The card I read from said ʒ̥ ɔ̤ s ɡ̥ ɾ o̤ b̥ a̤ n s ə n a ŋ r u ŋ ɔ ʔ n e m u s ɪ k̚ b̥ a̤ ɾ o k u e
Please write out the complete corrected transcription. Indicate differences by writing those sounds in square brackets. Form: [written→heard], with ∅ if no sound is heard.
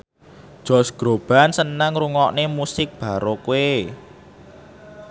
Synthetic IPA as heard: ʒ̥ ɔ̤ s ɡ̥ ɾ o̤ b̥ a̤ n s ə n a ŋ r u ŋ ɔ ʔ n e m u s ɪ k̚ b̥ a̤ ɾ o k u e